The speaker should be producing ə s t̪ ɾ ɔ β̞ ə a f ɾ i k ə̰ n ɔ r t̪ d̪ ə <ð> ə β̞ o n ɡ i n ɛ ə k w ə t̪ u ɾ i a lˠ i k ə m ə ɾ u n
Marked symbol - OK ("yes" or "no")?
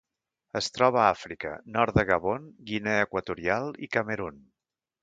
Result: no